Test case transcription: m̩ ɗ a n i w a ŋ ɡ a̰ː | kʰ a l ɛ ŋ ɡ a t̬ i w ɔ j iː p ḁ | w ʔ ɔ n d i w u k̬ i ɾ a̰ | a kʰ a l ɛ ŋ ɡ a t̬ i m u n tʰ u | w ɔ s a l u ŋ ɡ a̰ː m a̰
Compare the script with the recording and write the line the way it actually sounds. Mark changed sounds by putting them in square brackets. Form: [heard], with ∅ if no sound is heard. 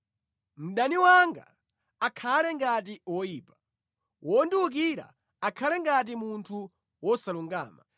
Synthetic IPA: m̩ ɗ a n i w a ŋ ɡ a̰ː | kʰ a l ɛ ŋ ɡ a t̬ i w ɔ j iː p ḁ | w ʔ ɔ n d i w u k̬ i ɾ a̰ | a kʰ a l ɛ ŋ ɡ a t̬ i m u n tʰ u | w ɔ s a l u ŋ ɡ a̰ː m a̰